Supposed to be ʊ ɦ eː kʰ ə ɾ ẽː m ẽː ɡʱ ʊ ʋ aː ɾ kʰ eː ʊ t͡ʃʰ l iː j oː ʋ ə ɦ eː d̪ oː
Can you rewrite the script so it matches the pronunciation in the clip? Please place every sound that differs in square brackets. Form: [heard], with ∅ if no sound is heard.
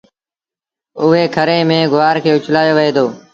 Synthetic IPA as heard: ʊ ɦ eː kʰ ə ɾ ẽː m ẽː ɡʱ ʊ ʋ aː ɾ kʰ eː ʊ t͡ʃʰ l [aː] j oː ʋ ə ɦ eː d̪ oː